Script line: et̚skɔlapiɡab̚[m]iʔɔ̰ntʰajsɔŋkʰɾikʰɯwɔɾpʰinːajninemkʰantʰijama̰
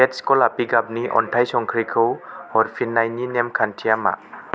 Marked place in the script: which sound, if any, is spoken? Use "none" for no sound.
n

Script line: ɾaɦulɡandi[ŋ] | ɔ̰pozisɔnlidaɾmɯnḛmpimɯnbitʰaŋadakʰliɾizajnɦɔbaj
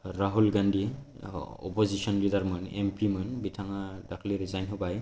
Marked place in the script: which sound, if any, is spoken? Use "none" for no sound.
none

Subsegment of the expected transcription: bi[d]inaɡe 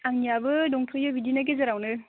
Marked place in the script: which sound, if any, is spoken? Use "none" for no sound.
d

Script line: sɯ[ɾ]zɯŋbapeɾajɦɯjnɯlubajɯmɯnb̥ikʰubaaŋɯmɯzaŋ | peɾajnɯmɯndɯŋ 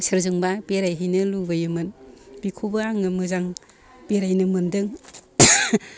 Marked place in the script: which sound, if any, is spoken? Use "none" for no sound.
ɾ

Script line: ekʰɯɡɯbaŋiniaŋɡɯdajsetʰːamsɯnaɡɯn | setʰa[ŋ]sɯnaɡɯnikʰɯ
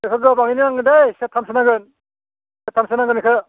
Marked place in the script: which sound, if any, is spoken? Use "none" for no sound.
m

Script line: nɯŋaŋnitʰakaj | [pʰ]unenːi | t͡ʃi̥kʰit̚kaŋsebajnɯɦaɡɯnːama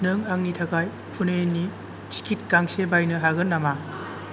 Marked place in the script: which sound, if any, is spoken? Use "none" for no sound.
pʰ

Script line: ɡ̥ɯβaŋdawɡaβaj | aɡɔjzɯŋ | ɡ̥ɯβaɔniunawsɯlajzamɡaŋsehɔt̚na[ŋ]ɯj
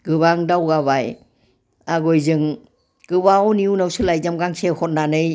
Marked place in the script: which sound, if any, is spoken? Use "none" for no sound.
n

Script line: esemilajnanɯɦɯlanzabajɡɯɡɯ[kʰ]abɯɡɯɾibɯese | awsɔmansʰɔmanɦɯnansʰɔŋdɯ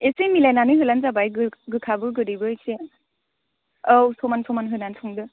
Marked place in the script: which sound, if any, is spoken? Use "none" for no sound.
kʰ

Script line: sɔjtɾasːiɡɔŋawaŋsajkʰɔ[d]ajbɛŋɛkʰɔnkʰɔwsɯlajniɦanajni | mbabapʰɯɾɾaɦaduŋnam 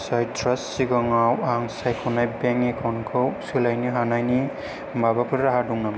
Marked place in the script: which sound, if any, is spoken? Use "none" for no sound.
n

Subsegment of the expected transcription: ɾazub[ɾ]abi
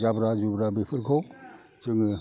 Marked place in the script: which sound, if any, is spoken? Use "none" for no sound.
ɾ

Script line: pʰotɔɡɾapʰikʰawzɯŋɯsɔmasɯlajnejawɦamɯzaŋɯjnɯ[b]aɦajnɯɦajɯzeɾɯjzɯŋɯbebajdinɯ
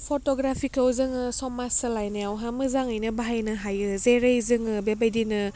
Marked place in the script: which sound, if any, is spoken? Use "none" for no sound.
b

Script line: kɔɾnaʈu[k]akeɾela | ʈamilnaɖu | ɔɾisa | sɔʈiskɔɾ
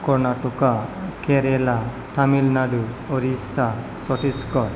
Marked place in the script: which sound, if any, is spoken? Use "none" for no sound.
k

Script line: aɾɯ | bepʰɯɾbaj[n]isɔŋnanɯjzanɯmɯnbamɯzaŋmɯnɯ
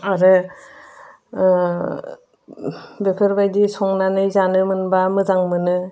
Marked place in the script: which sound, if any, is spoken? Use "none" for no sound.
d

